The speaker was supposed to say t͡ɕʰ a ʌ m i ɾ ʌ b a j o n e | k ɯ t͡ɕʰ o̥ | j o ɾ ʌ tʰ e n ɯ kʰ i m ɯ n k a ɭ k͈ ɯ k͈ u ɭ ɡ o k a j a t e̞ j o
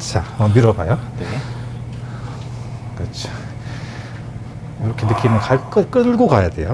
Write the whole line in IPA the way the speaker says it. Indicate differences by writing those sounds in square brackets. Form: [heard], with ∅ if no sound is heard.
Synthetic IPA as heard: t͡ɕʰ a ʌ m i ɾ ʌ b a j o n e | k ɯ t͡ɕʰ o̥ | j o ɾ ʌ [kʰ] e n ɯ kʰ i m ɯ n k a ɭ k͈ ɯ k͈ [ɯ] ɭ ɡ o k a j a [d] e̞ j o